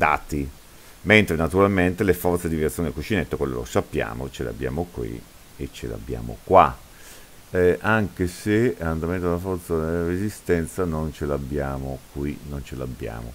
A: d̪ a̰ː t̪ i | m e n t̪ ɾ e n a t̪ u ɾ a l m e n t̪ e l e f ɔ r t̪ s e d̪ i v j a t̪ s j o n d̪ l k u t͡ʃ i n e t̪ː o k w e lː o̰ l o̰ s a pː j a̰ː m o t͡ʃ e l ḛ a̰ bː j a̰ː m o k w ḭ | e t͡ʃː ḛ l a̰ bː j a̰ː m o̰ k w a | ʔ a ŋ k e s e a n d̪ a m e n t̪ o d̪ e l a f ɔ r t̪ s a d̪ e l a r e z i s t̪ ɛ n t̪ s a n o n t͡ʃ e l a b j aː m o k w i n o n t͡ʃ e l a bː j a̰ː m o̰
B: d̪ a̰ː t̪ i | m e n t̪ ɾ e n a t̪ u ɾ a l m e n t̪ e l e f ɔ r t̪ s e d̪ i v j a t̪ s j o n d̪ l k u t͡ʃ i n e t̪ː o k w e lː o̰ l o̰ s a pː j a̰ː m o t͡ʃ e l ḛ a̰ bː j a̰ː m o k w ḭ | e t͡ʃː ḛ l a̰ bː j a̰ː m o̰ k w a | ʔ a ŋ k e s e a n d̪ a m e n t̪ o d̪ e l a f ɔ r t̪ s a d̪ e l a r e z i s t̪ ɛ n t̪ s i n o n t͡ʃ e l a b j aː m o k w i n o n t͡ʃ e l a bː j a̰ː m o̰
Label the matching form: A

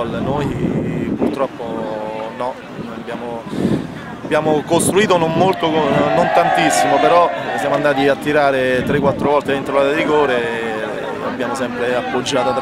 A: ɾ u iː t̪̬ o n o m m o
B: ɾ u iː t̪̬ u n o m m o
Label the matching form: A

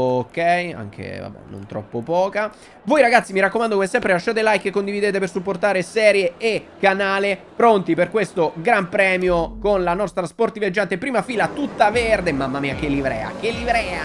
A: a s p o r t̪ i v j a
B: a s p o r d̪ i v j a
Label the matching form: A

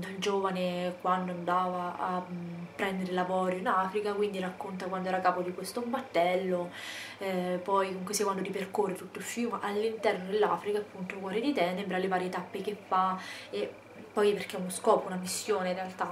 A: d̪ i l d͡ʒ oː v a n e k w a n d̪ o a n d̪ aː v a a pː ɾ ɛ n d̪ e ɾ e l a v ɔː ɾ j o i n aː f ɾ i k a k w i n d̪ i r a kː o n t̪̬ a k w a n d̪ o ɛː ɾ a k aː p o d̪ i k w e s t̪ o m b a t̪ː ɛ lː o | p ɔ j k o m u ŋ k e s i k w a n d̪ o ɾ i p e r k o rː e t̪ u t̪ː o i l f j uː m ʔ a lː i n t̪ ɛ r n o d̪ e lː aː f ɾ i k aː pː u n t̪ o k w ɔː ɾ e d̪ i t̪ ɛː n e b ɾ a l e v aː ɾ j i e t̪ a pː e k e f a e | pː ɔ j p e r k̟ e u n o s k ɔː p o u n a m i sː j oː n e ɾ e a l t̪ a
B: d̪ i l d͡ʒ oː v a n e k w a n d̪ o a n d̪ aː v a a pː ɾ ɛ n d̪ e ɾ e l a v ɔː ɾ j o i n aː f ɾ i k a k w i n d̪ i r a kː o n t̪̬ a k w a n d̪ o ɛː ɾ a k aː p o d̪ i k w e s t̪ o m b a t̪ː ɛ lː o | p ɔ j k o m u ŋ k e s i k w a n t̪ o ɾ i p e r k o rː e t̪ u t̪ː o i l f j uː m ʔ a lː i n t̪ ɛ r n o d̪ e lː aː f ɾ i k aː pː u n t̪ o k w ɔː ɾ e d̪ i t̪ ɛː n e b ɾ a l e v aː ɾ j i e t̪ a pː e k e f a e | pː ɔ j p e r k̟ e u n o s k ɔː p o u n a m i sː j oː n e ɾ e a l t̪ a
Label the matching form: A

